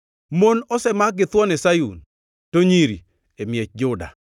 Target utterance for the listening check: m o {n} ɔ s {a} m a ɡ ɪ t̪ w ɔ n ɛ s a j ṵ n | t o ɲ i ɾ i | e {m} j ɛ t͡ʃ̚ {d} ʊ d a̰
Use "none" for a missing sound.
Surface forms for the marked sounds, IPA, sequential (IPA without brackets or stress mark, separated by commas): n, ɛ, m, d͡ʒ